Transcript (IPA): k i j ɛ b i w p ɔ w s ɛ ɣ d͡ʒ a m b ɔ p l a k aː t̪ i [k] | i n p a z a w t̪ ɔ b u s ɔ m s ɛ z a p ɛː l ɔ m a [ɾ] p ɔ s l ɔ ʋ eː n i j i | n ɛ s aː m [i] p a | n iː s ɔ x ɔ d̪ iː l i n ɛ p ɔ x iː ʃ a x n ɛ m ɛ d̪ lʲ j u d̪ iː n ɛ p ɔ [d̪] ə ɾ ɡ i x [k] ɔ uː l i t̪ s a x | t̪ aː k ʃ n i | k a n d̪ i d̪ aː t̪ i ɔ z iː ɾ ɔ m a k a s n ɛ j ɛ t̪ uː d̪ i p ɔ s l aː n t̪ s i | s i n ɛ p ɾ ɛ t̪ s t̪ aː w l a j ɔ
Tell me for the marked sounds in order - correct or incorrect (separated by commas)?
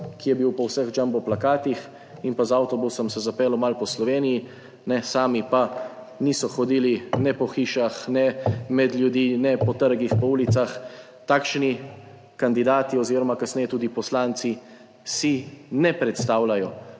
incorrect, incorrect, correct, incorrect, incorrect